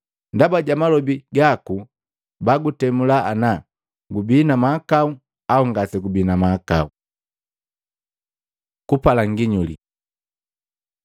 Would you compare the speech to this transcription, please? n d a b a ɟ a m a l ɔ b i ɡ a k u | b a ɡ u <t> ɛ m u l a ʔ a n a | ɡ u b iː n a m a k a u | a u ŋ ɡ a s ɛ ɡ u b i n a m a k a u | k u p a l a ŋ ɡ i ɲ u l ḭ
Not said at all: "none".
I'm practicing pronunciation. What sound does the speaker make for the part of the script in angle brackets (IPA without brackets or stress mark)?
t